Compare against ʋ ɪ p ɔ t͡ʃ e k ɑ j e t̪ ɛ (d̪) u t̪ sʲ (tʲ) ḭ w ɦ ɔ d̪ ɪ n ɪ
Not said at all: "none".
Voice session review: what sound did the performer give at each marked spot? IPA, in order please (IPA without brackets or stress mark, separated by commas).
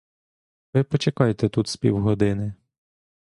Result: t̪, pʲ